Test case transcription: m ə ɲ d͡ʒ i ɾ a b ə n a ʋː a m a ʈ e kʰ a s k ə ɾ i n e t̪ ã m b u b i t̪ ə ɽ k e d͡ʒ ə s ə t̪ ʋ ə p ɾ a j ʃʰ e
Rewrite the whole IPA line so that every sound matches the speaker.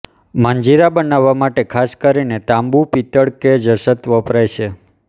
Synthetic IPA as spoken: m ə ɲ d͡ʒ i ɾ a b ə n a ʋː a m a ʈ e kʰ a s k ə ɾ i n e t̪ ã m b u p i t̪ ə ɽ k e d͡ʒ ə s ə t̪ ʋ ə p ɾ a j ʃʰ e